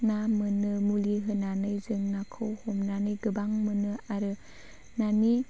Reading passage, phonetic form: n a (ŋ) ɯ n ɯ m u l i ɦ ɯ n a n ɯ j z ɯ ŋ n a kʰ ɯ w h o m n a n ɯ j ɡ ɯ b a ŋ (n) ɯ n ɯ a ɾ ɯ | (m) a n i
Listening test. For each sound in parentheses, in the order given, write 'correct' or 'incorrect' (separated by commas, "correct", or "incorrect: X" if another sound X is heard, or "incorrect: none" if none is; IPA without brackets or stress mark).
incorrect: m, incorrect: m, incorrect: n